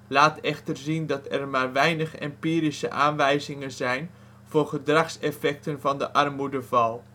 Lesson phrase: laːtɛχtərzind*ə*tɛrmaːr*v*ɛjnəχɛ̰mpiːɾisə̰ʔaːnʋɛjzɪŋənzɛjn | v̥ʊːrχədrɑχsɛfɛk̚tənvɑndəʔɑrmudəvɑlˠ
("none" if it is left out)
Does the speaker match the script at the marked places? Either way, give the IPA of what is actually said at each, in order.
ɑ, ʋ

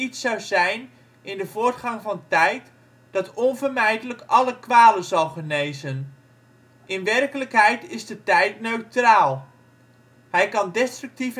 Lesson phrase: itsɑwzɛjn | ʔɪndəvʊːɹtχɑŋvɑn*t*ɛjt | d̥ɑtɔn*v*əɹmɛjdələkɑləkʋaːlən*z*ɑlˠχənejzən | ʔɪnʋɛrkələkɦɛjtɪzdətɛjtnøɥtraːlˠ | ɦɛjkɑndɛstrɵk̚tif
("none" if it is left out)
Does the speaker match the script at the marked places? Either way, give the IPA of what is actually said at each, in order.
t, v, z

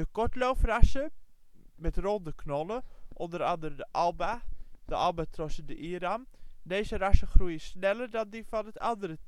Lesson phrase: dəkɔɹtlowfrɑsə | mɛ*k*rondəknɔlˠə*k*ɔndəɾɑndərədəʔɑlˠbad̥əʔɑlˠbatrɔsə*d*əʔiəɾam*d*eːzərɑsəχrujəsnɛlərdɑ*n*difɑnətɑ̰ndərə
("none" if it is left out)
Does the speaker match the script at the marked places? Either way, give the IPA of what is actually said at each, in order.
t, ʔ, d, d, n

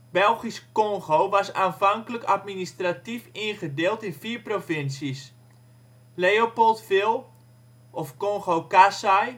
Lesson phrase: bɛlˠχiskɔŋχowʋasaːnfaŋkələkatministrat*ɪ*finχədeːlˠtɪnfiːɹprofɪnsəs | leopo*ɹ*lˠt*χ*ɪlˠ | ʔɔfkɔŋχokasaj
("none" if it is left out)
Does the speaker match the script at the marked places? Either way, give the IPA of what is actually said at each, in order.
i, none, f

